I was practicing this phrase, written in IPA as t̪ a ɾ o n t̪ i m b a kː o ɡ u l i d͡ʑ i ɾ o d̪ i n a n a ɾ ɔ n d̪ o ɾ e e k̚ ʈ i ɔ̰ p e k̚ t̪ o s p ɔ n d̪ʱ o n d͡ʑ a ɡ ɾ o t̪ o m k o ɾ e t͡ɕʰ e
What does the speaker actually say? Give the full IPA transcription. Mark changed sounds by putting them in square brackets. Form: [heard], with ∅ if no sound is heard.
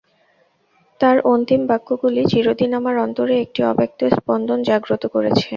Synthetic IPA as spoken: t̪ a ɾ o n t̪ i m b a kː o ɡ u l i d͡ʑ i ɾ o d̪ i n a [m] a ɾ ɔ n [t̪] o ɾ e e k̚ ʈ i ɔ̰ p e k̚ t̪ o s p ɔ n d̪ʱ o n d͡ʑ a ɡ ɾ o t̪ o [∅] k o ɾ e t͡ɕʰ e

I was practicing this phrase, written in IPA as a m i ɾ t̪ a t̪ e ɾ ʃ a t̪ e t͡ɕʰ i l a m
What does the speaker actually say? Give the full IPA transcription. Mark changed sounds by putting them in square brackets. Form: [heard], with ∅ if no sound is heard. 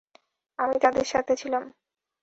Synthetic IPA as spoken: a m i [∅] t̪ a [d̪] e ɾ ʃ a [t̪ʰ] e t͡ɕʰ i l a m

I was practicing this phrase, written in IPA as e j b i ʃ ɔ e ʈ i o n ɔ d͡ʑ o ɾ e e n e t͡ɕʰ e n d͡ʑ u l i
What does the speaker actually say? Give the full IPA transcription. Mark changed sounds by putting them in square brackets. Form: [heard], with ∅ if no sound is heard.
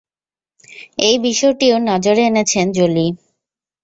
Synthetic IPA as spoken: e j b i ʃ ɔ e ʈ i o n ɔ d͡ʑ o ɾ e e n e t͡ɕʰ e n d͡ʑ [o] l i

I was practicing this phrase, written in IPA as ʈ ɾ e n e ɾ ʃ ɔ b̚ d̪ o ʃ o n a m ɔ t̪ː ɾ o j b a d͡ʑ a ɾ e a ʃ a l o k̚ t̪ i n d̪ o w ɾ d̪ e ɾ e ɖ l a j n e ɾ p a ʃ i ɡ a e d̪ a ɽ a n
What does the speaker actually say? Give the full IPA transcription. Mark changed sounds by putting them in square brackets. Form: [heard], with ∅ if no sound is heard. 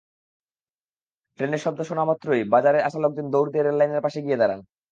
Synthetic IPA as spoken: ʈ ɾ e n e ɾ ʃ ɔ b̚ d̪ o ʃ o n a m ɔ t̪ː ɾ o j b a d͡ʑ a ɾ e a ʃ a l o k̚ [d̪] i n d̪ o w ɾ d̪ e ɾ e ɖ l a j n e ɾ p a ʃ [e] ɡ [i] e d̪ a [ɾ] a n

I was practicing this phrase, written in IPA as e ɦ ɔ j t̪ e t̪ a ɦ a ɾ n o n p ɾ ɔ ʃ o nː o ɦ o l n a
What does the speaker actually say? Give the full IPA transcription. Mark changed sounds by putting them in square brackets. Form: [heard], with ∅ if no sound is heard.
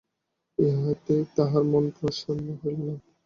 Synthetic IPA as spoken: e ɦ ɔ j t̪ e t̪ a ɦ a ɾ [m] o n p ɾ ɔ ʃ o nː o ɦ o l n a

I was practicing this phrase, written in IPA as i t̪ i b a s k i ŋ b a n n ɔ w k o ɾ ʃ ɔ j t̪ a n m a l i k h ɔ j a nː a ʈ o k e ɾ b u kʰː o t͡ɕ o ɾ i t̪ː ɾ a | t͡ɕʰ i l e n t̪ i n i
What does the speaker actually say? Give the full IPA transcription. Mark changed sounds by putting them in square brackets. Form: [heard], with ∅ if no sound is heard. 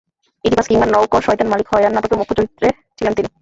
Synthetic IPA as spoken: i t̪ i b a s k i ŋ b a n n ɔ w k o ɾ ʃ ɔ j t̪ a n m a l i k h ɔ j a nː a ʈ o k e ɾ [m] u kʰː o t͡ɕ o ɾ i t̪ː ɾ [e] | t͡ɕʰ i l e n t̪ i n i

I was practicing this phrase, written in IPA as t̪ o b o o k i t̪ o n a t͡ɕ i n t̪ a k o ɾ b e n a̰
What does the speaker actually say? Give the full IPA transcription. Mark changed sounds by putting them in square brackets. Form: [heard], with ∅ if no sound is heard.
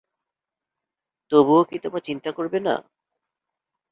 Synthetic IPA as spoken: t̪ o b [u] o k i t̪ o [m] a t͡ɕ i n t̪ a k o ɾ b e n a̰

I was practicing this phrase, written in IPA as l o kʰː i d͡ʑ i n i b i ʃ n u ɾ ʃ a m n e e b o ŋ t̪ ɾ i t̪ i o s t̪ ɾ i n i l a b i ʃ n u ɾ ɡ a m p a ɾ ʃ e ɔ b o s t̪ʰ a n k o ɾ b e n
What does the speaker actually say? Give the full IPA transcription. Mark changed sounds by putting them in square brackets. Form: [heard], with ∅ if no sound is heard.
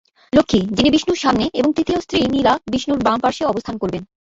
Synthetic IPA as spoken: l o kʰː i d͡ʑ i n i b i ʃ n u ɾ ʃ a m n e e b o ŋ t̪ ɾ i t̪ i o s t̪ ɾ i n i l a b i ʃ n u ɾ [b] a m p a ɾ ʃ e ɔ b o s t̪ʰ a n k o ɾ b e n

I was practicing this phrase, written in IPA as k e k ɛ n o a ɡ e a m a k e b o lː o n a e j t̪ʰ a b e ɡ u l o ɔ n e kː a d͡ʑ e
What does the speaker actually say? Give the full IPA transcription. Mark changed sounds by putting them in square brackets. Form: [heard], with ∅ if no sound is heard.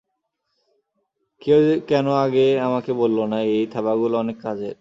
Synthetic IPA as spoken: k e k ɛ n o a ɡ e a m a k e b o lː o n a e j t̪ʰ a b [a] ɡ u l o ɔ n e kː a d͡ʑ e

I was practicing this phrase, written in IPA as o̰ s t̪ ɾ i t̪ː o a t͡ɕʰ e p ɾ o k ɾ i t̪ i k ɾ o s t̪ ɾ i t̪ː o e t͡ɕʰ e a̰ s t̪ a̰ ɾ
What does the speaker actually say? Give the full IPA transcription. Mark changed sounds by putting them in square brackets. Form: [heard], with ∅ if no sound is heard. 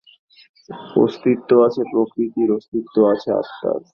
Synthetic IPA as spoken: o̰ s t̪ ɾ i t̪ː o a t͡ɕʰ e p ɾ o k ɾ i t̪ i [∅] ɾ o s t̪ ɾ i t̪ː o [a] t͡ɕʰ e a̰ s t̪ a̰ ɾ

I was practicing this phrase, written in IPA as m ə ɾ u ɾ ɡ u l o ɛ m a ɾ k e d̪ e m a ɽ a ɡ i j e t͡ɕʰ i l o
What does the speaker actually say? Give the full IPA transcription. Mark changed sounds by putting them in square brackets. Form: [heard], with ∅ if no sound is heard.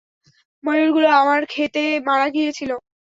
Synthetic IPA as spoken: m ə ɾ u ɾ ɡ u l o [a] m a ɾ [kʰ] e [t̪] e m a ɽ a ɡ i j e t͡ɕʰ i l o

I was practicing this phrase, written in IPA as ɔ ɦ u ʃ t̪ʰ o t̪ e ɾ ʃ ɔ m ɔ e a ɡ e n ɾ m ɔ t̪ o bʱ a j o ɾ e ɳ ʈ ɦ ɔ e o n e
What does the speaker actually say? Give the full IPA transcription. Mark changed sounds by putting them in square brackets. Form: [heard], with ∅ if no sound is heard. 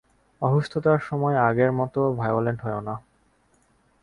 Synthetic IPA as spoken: ɔ ɦ u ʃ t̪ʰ o t̪ [a] ɾ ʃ ɔ m ɔ e a ɡ e [∅] ɾ m ɔ t̪ o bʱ a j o [l] e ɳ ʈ ɦ ɔ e o n [a]

